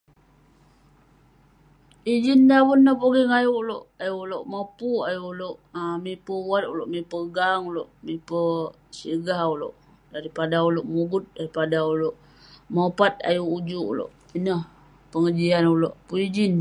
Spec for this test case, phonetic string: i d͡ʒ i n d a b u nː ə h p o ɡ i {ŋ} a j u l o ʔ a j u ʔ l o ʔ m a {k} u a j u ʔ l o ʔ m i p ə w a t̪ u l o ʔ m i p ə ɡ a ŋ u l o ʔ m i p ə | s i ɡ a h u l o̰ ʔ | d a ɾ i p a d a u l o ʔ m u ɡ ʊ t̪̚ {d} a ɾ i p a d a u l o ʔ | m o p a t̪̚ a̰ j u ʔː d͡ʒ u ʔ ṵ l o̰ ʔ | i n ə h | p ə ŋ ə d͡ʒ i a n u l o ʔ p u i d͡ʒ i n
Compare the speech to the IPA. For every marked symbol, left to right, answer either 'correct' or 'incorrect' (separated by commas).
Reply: correct, incorrect, correct